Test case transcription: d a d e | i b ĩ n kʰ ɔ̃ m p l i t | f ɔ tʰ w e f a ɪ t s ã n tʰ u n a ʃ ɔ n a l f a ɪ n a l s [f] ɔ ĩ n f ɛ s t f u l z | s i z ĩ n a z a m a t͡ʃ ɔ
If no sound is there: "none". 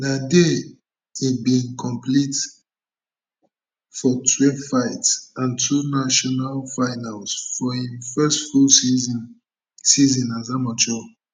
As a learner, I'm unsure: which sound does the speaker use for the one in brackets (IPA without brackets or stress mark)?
f